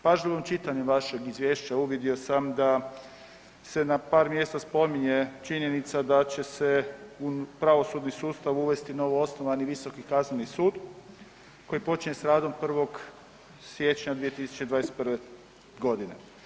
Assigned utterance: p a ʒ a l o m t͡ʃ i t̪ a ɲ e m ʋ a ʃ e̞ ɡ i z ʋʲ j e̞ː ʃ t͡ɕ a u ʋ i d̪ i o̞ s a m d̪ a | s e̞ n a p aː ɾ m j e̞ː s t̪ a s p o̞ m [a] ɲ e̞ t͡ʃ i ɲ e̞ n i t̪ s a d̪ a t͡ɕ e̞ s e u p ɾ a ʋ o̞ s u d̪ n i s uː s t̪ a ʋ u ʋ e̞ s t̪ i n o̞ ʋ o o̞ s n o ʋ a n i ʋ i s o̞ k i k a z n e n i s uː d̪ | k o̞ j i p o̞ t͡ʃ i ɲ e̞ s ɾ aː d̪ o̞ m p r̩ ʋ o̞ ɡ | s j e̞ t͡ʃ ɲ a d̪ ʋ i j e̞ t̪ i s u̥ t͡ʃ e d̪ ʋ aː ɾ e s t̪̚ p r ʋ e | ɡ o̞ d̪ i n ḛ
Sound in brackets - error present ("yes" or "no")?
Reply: yes